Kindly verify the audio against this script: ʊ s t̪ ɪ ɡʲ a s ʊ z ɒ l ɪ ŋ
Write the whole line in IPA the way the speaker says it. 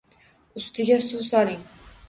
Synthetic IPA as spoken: ʊ s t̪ ɪ ɡʲ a s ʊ s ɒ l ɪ ŋ